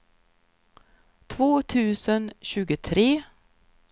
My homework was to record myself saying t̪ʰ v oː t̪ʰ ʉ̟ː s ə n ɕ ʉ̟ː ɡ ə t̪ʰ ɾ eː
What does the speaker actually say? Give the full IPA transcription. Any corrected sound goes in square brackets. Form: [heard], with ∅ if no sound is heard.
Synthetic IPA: t̪ʰ v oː t̪ʰ ʉ̟ː s ə n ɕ ʉ̟ː ɡ ə t̪ʰ ɾ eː